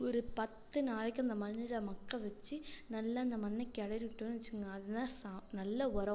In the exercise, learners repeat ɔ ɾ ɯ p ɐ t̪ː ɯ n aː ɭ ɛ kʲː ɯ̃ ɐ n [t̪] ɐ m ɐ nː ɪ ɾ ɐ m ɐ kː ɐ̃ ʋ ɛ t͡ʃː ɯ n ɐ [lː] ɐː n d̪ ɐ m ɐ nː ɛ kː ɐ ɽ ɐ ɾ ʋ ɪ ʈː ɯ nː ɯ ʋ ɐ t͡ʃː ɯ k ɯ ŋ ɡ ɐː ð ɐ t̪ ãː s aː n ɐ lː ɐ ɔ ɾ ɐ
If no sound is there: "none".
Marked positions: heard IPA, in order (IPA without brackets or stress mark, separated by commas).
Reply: d̪, lː